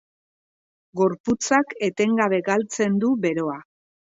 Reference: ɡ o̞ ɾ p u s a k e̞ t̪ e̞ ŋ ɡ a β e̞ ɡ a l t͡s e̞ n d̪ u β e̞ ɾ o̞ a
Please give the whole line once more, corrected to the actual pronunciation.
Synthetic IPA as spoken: ɡ o̞ ɾ p u t͡s a k e̞ t̪ e̞ ŋ ɡ a β e̞ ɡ a l t͡s e̞ n d̪ u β e̞ ɾ o̞ a